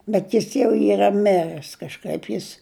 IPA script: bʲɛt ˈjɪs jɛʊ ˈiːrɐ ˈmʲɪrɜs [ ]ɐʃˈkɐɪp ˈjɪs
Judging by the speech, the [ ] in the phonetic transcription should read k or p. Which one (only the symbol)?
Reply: k